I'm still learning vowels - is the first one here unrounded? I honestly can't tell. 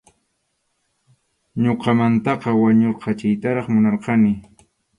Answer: no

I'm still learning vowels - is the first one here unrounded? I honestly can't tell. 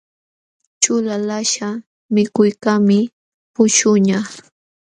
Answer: no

